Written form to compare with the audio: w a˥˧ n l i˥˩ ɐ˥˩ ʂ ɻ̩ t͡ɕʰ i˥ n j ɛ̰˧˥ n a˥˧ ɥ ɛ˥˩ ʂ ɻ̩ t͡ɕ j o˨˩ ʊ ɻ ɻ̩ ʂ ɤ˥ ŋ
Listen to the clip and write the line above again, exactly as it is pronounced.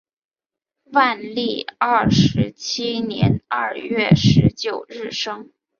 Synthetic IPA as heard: w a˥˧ n l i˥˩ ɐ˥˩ ʂ ɻ̩ t͡ɕʰ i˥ n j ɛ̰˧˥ n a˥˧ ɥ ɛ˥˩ ʂ ɻ̩ t͡ɕ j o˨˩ ʊ ɻ ɻ̩ ʂ ɤ˥ ŋ